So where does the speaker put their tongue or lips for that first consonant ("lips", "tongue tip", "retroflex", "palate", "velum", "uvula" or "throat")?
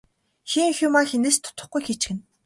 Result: velum